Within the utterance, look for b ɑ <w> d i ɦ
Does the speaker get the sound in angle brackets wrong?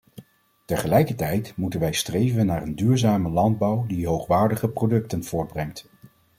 no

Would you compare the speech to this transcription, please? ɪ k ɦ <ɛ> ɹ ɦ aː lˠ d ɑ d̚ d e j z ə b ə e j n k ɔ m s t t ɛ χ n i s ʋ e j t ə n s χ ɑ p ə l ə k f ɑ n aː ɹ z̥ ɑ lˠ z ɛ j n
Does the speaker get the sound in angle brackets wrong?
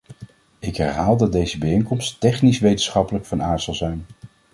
no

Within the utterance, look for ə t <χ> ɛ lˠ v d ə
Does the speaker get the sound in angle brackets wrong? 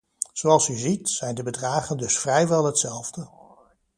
yes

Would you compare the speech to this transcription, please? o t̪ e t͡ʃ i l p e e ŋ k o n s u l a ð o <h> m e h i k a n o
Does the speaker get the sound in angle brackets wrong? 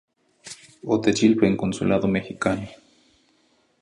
yes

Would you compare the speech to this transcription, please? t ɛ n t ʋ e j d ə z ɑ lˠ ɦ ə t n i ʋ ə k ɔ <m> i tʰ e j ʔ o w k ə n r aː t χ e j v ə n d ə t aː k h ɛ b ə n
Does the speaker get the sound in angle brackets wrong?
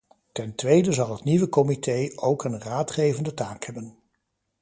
no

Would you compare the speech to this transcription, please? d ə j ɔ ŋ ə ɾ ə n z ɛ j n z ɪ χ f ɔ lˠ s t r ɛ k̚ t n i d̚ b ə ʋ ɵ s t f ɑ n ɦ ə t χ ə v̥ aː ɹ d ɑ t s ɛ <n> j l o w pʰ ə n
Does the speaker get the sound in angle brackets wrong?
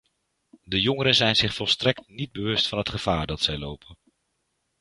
yes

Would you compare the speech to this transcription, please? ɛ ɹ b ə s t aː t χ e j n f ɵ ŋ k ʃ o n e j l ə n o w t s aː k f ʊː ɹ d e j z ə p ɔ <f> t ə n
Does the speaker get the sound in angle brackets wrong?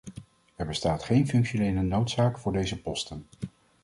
yes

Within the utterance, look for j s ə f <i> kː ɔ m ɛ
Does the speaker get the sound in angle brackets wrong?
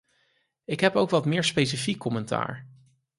no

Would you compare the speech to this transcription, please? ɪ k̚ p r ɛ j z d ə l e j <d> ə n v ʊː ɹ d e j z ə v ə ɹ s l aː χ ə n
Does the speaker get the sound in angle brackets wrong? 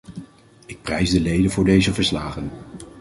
no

